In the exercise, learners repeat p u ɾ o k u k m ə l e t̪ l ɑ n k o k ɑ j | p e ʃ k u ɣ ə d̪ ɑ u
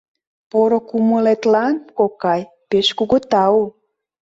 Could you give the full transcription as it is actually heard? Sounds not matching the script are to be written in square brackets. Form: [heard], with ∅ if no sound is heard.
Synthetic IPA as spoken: p [o] ɾ o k u [∅] m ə l e t̪ l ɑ n k o k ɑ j | p e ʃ k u ɣ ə [t̪] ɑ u